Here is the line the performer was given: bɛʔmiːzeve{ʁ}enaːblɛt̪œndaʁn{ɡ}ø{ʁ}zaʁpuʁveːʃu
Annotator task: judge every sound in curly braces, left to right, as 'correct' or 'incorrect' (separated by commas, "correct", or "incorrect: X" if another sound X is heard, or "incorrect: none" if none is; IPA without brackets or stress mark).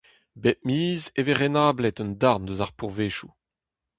correct, incorrect: d, incorrect: none